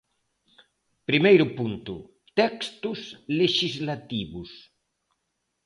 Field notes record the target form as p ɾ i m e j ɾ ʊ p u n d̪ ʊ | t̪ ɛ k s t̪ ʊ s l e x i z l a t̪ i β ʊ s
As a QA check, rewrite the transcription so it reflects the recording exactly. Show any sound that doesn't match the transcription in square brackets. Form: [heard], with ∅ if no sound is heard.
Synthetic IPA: p ɾ i m e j ɾ ʊ p u n [t̪] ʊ | t̪ ɛ k s t̪ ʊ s l e [ʃ] i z l a t̪ i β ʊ s